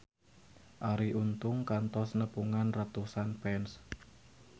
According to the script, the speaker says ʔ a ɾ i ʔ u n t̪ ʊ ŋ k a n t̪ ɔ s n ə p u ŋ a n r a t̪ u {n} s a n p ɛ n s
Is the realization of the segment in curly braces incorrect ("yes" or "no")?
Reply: yes